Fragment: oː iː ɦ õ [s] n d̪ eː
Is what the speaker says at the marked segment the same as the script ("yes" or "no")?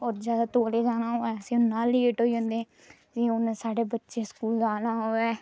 no